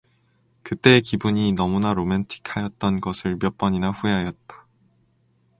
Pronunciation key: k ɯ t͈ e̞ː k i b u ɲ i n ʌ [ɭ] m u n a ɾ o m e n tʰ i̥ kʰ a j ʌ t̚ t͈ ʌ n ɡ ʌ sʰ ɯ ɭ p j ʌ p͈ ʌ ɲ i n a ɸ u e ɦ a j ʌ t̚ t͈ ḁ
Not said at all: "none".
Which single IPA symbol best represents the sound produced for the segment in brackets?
none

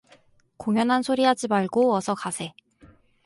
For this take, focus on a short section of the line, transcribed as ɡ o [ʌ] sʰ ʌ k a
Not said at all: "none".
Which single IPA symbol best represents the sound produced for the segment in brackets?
ʌ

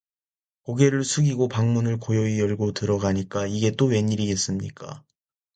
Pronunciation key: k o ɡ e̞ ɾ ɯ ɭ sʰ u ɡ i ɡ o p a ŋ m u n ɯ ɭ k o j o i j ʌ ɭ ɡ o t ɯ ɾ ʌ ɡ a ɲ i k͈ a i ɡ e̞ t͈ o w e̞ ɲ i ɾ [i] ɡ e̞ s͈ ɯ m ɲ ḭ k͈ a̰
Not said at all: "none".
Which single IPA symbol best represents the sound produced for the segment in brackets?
i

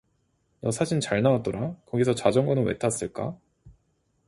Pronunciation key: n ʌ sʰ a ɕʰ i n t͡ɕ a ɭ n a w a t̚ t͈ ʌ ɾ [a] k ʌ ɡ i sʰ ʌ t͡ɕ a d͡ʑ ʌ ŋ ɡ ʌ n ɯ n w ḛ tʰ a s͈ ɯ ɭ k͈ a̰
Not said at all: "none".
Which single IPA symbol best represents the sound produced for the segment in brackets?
a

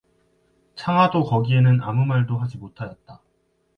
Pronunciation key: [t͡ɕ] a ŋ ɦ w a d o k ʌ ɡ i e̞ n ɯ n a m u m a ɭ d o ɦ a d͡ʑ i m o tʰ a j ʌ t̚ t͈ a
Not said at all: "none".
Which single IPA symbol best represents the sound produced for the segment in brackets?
t͡ɕʰ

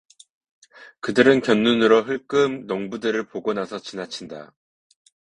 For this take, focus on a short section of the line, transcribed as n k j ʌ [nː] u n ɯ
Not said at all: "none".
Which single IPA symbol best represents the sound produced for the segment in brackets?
nː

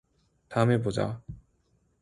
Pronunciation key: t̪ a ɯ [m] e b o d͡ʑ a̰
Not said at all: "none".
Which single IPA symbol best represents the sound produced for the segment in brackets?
m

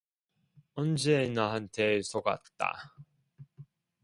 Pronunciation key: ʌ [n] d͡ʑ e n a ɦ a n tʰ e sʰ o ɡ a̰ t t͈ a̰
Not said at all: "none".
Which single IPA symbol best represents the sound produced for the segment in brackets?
n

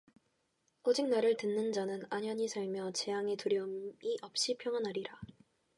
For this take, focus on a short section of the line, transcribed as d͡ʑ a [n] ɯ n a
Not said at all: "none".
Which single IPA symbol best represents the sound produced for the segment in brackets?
n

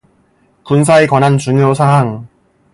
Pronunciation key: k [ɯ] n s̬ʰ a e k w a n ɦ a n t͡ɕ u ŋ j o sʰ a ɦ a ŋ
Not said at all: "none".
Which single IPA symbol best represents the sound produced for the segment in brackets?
u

